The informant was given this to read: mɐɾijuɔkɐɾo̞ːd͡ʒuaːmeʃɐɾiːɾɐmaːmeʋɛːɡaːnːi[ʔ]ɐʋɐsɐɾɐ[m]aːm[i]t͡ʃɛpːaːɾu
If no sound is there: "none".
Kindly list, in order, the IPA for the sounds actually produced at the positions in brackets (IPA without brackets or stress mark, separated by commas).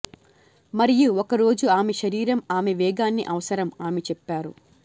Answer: ʔ, m, e